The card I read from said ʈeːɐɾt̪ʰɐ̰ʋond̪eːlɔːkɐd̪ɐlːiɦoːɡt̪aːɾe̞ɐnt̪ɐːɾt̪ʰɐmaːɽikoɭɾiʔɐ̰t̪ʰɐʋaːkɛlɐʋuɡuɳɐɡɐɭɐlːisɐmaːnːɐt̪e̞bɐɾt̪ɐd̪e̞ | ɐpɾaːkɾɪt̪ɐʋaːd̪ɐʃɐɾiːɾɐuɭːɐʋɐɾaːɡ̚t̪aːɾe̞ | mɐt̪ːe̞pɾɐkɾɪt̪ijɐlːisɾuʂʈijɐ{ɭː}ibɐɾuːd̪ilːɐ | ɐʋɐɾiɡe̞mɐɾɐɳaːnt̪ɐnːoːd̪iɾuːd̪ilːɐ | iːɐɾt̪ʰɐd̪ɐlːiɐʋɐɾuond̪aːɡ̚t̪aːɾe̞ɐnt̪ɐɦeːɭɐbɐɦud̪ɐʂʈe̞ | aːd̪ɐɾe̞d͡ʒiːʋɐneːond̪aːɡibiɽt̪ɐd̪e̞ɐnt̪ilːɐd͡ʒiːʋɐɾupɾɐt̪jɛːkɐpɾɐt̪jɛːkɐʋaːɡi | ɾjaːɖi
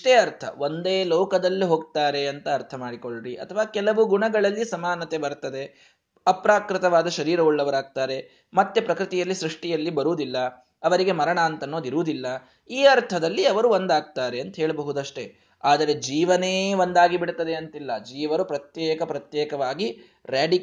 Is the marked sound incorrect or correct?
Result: incorrect